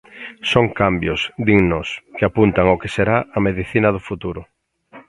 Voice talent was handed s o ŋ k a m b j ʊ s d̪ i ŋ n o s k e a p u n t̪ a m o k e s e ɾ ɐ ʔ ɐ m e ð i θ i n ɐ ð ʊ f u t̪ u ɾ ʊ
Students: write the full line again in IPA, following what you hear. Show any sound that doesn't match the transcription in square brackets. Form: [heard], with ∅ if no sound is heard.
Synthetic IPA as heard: s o ŋ k a m b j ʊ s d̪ i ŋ n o s k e a p u n t̪ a [ŋ] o k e s e ɾ [a] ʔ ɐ m e ð i θ i n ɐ ð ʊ f u t̪ u ɾ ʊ